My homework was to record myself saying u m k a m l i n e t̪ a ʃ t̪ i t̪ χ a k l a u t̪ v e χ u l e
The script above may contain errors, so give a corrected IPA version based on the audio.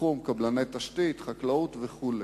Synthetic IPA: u m k a b l a n e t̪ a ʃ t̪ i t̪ χ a k l a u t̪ v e χ u l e

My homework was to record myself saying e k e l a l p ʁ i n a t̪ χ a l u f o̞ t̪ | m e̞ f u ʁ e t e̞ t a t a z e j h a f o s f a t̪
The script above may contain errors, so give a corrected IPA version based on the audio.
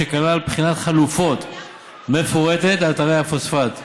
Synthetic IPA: e k a l a l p χ i n a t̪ χ a l u f o̞ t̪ | m e̞ f o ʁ e t e̞ t a t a ʁ e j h a f o s f a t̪

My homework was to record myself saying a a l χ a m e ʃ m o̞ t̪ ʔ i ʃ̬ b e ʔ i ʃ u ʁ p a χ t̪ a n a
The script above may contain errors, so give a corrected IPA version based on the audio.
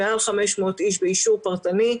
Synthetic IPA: e a l χ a m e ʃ m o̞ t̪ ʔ i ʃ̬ b e i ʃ u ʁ p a ʁ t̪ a n i

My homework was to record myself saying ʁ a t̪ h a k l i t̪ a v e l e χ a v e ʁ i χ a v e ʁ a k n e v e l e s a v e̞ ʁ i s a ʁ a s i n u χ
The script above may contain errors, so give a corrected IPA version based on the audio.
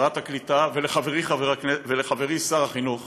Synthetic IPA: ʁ a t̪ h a k l i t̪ a v e l e χ a v e ʁ i χ a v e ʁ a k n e v e l e χ a v e̞ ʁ i s a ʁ a χ i n u χ

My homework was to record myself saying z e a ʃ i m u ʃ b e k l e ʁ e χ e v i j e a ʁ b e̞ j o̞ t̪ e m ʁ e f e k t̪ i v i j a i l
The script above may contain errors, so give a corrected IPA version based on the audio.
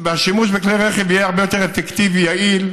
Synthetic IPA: v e a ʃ i m u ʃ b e k l e ʁ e χ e v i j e a ʁ b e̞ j o̞ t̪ e ʁ e f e k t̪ i v i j a i l

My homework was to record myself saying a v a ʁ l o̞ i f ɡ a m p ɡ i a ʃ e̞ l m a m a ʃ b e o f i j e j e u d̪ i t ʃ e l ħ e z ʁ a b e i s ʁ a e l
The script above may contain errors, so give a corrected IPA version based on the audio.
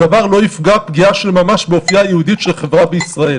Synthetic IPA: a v a ʁ l o̞ i f ɡ a p ɡ i a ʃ e̞ l m a m a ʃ b e o f i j a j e u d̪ i t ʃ e l χ e v ʁ a b e i s ʁ a e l

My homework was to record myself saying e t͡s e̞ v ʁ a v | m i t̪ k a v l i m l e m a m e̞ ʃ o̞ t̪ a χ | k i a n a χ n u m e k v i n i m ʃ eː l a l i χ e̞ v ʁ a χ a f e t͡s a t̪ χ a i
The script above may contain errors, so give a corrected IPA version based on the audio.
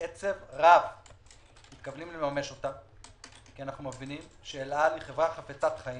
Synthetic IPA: e t͡s e̞ v ʁ a v | m i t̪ k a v l i m l e m a m e̞ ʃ o̞ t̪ a | k i a n a χ n u m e v i n i m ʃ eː l a l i χ e̞ v ʁ a χ a f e t͡s a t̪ χ a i

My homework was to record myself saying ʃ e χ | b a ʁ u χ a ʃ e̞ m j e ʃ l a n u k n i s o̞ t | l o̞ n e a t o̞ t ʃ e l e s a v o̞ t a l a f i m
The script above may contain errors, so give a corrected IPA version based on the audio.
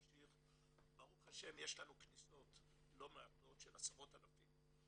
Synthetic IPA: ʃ i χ | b a ʁ u χ a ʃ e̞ m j e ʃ l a n u k n i s o̞ t | l o̞ m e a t o̞ t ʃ e l a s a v o̞ t a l a f i m

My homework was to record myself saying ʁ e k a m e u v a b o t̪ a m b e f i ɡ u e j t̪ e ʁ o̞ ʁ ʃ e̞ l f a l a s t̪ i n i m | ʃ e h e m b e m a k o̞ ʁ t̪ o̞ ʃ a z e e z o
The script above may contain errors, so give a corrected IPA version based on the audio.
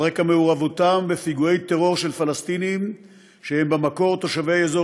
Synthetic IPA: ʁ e k a m e u ʁ a v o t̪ a m b e f i ɡ u e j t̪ e ʁ o̞ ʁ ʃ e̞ l f a l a s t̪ i n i m | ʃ e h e m b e m a k o̞ ʁ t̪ o̞ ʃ a v e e z o

